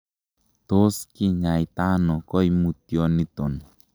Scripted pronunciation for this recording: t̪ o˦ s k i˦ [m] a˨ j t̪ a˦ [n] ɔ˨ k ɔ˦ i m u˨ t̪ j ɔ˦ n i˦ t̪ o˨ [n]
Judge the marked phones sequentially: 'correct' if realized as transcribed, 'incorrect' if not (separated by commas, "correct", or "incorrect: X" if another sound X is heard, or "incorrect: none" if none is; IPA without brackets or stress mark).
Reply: incorrect: ɲ, correct, correct